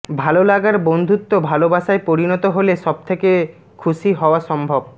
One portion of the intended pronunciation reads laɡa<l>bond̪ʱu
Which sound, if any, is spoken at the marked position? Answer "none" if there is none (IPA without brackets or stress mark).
ɾ